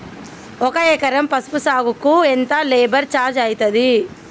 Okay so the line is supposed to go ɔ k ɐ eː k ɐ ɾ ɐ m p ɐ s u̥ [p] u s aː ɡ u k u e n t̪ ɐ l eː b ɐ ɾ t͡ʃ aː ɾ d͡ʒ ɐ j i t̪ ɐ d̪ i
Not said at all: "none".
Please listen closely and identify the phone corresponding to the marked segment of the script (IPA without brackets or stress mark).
p